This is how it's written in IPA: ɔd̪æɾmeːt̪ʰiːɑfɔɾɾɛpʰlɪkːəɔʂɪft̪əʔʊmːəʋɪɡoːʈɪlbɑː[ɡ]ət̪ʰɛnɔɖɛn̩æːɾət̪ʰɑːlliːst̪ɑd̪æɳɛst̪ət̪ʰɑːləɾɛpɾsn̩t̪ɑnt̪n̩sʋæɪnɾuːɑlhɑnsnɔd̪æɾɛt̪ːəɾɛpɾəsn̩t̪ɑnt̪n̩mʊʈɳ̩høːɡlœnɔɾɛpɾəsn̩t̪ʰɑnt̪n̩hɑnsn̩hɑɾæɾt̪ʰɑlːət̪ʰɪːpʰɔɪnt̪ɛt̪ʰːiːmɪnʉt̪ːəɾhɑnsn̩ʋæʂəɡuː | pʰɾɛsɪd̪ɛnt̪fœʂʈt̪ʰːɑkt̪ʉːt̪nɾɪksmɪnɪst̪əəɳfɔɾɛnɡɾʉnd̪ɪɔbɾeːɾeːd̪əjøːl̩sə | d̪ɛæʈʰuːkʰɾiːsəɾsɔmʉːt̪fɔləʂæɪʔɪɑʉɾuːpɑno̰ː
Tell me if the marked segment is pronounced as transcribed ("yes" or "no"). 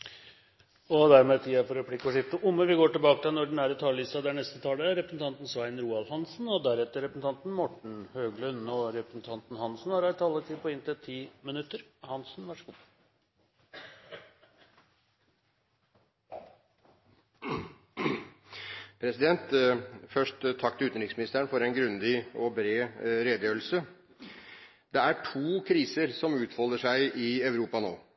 no